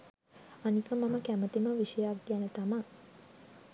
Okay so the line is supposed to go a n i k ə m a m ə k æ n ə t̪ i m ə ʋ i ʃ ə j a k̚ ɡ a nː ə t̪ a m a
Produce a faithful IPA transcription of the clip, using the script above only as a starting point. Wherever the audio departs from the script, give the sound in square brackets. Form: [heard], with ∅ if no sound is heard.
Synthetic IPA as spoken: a n i k ə m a m ə k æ [m] ə t̪ i m ə ʋ i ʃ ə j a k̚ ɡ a [n] ə t̪ a m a

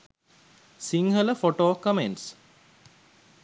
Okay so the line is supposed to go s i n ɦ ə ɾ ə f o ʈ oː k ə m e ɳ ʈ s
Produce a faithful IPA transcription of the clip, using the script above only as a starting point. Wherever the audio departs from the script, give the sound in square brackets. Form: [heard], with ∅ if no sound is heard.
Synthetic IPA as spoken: s i [ŋ] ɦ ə [l] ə f o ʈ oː k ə m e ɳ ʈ s

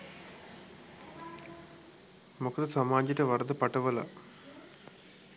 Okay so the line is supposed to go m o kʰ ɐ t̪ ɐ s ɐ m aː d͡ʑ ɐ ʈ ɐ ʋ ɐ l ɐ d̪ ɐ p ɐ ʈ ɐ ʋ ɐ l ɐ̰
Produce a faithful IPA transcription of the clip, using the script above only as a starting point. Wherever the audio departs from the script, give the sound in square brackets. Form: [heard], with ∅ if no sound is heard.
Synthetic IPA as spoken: m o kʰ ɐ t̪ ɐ s ɐ m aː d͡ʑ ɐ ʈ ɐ ʋ ɐ [ɾ] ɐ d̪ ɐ p ɐ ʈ ɐ ʋ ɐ l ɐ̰

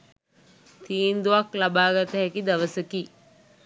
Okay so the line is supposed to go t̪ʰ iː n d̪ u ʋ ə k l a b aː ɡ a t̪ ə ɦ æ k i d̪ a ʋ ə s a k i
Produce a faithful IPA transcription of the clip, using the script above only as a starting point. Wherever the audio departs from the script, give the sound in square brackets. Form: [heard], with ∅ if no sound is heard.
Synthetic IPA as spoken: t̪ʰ iː n d̪ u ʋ [a] k l a b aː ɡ a t̪ ə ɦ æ k i d̪ a ʋ ə s [ə] k i

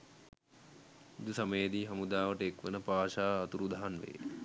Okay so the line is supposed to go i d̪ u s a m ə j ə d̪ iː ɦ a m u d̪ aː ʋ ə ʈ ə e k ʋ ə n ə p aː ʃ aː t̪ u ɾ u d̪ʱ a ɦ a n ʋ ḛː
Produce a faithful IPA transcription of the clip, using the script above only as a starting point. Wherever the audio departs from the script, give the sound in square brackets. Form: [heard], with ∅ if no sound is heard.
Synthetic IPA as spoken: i d̪ u s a m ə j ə d̪ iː ɦ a m u d̪ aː ʋ ə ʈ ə e k ʋ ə n ə p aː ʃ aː t̪ u ɾ u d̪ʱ a ɦ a n ʋ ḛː

